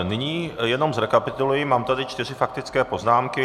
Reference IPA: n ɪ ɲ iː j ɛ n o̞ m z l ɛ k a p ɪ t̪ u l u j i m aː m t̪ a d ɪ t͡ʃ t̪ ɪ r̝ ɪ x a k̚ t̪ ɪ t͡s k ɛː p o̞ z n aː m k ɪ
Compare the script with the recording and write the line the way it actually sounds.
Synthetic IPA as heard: n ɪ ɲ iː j ɛ n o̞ m z ɾ ɛ k a p ɪ t̪ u l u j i m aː m t̪ a d ɪ t͡ʃ t̪ ɪ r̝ ɪ f a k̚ t̪ ɪ t͡s k ɛː p o̞ z n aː m k ɪ